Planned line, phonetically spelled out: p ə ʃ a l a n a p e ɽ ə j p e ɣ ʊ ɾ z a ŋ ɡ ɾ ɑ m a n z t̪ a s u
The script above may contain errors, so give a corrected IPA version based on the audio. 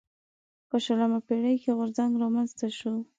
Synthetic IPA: p ə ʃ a l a m a p e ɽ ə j k e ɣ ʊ ɾ z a ŋ ɡ ɾ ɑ m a n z t̪ a ʃ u